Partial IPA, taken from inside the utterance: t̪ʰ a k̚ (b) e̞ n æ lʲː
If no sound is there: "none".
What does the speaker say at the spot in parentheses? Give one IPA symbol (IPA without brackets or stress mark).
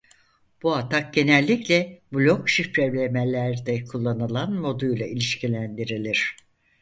ɟ